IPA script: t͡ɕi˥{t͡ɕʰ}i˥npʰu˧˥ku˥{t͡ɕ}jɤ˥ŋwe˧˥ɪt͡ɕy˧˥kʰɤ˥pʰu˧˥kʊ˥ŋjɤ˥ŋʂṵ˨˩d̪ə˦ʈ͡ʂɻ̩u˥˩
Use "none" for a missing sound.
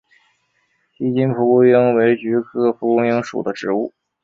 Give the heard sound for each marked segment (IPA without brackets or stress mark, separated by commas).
t͡ɕ, none